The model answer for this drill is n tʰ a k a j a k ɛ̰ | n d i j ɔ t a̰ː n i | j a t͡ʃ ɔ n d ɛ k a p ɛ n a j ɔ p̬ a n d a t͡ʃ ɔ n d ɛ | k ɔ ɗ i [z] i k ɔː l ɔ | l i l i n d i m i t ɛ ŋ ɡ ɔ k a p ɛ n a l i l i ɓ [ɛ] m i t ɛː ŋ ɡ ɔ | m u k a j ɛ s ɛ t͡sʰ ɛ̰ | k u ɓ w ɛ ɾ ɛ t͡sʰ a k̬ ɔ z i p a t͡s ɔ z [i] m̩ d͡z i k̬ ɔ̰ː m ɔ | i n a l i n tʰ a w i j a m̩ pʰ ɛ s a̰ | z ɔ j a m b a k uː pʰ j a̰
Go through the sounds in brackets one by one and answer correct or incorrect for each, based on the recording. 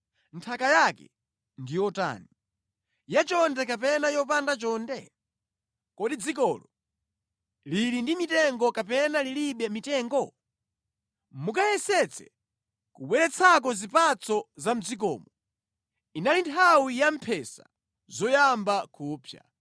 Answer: incorrect: d͡z, correct, incorrect: a

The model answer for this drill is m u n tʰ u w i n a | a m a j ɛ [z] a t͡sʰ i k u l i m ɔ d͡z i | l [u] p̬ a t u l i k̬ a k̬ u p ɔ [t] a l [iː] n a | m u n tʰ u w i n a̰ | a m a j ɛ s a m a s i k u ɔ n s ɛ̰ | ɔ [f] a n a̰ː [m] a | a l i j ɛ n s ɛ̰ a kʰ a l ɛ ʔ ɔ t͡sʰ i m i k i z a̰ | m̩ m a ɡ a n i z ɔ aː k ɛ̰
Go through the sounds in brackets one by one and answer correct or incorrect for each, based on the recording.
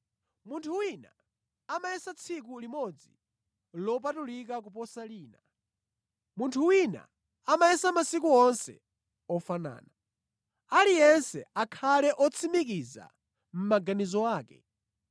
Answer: incorrect: s, incorrect: ɔ, incorrect: s, correct, correct, incorrect: n

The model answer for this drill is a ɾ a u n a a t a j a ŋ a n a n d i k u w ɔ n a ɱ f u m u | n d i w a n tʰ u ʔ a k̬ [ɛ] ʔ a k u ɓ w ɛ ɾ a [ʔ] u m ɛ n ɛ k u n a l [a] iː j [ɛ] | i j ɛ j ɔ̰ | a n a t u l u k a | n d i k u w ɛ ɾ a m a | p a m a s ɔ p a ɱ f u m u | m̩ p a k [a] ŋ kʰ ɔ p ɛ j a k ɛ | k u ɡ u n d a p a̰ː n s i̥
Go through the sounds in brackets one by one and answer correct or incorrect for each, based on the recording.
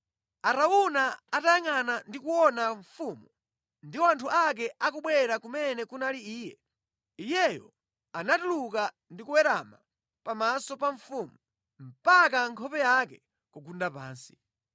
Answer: correct, incorrect: k, incorrect: i, correct, correct

